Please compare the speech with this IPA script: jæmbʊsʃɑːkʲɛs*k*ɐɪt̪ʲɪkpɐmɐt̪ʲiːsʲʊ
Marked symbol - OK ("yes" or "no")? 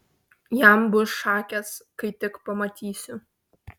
yes